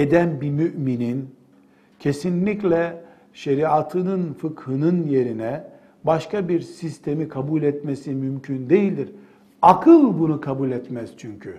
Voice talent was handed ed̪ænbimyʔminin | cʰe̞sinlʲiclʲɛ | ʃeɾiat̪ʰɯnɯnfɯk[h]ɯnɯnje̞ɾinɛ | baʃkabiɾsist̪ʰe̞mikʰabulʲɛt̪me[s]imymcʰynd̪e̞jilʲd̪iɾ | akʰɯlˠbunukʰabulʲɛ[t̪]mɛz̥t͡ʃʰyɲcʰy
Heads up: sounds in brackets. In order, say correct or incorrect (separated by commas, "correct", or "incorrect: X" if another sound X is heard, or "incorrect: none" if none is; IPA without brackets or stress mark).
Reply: correct, correct, correct